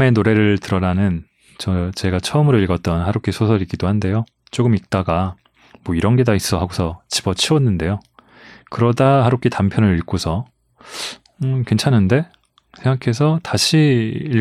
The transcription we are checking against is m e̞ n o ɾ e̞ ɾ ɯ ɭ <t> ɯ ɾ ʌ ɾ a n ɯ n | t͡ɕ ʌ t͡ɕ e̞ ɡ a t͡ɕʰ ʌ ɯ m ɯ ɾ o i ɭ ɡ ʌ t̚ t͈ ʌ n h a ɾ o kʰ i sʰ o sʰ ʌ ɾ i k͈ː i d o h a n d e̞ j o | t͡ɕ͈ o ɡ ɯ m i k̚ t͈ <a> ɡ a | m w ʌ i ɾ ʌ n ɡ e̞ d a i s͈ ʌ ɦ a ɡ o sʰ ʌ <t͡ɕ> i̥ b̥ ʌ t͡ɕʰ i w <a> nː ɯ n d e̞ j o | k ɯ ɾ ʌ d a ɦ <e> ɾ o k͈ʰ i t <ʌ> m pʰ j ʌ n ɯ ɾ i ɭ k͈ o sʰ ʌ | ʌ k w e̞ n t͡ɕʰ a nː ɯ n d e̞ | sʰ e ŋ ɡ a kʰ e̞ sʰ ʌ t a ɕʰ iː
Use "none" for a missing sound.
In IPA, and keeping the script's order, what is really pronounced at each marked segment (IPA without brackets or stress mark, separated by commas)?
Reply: t, a, t͡ɕ, ʌ, a, a